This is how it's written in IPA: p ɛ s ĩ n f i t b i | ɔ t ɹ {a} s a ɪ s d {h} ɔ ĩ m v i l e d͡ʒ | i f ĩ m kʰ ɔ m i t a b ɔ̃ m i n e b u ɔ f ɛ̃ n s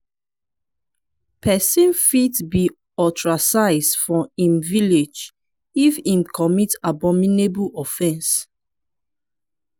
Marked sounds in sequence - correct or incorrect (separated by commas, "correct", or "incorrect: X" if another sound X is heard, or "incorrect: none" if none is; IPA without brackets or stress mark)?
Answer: correct, incorrect: f